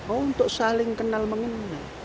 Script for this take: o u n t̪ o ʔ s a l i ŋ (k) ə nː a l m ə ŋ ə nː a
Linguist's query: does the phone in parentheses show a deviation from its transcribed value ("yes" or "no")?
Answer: no